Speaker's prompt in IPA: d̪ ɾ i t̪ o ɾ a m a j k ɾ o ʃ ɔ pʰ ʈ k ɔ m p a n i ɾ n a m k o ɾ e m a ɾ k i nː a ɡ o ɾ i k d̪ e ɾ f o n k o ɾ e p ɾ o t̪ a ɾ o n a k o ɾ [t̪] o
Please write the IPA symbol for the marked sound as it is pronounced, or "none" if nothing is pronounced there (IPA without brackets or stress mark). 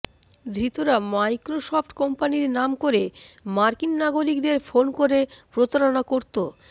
t̪